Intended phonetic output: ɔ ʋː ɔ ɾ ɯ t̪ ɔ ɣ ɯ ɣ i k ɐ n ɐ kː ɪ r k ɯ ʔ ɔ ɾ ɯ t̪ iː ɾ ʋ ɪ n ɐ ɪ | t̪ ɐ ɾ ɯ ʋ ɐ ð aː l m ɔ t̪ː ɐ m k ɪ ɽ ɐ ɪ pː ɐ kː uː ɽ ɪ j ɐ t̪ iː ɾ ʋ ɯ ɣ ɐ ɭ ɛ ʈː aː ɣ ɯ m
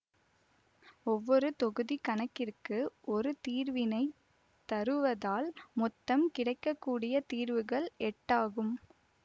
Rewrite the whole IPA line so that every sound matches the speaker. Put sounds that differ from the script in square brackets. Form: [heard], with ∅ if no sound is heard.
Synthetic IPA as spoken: ɔ ʋː ɔ ɾ ɯ t̪ ɔ ɣ ɯ [ð] i k ɐ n ɐ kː ɪ r k ɯ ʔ ɔ ɾ ɯ t̪ iː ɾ ʋ ɪ n ɐ ɪ | t̪ ɐ ɾ ɯ ʋ ɐ ð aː l m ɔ t̪ː ɐ m k ɪ ɽ ɐ ɪ [kː] ɐ kː uː ɽ ɪ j ɐ t̪ iː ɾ ʋ ɯ ɣ ɐ ɭ ɛ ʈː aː ɣ ɯ m